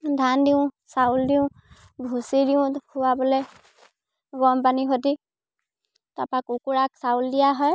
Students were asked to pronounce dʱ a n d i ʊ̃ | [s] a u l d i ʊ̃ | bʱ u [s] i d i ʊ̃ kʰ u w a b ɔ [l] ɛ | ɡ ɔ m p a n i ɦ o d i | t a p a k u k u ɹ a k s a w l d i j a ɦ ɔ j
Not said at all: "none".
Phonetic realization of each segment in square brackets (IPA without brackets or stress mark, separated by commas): s, s, l